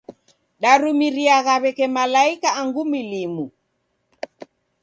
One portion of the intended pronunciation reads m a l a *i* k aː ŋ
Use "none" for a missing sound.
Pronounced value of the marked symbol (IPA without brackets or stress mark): i